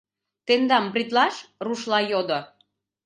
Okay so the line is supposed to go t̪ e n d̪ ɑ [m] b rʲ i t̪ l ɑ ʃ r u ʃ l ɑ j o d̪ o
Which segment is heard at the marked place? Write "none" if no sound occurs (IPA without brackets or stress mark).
m